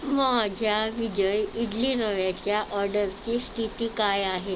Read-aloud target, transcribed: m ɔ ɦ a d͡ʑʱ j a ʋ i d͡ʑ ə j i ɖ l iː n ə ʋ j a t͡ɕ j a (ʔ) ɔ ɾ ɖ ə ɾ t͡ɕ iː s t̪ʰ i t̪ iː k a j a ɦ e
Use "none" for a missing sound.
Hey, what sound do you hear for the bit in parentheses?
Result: ʔ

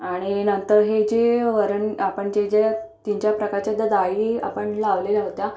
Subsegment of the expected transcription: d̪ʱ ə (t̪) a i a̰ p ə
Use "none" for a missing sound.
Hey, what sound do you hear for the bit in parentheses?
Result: d̪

